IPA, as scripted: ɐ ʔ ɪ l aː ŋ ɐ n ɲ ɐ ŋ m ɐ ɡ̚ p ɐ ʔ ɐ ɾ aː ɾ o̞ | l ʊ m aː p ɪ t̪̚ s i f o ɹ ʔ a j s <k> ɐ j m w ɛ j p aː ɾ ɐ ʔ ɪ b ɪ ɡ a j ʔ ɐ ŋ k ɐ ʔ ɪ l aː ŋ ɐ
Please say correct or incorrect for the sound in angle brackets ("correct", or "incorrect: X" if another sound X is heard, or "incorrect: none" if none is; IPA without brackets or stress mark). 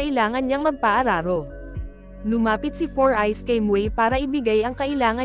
correct